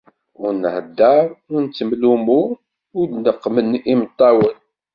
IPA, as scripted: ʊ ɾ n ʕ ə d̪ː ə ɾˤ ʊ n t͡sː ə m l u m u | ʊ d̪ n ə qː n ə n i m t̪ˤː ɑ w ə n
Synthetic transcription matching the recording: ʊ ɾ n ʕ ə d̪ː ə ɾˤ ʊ n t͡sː ə m l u m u | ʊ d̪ n ə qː m ə n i m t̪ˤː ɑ w ə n